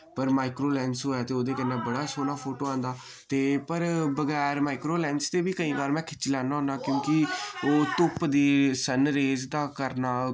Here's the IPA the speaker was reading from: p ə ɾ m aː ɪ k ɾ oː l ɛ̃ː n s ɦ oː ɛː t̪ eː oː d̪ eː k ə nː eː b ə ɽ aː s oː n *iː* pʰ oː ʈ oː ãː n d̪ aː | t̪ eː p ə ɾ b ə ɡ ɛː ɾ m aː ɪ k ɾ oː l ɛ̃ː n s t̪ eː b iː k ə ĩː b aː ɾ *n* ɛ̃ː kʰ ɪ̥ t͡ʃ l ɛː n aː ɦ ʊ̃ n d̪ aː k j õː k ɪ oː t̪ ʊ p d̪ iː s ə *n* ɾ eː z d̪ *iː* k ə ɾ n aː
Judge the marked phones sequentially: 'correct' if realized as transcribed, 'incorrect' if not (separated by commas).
incorrect, incorrect, correct, incorrect